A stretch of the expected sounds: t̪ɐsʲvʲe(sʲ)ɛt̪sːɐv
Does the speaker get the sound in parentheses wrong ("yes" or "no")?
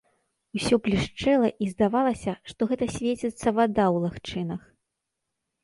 yes